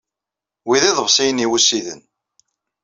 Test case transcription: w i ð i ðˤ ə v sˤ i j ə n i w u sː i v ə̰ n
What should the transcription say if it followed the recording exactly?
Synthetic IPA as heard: w i ð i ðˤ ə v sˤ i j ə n i w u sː i ð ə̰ n